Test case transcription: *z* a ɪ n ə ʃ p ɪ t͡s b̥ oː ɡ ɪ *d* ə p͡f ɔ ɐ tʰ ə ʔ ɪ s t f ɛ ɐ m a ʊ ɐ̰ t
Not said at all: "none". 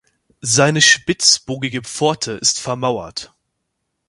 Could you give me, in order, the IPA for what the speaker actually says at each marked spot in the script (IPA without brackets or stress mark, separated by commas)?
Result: z, ɡ